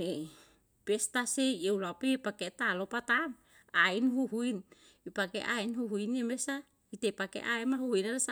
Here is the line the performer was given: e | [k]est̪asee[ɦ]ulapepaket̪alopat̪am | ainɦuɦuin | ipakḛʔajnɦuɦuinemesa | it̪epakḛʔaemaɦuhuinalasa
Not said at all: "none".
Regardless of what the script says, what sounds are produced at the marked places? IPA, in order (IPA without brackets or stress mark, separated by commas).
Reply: p, none